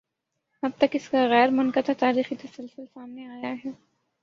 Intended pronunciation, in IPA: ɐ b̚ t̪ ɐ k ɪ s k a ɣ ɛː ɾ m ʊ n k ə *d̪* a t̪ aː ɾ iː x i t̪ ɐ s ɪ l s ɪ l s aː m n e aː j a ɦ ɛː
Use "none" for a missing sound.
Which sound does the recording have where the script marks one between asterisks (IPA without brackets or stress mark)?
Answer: t̪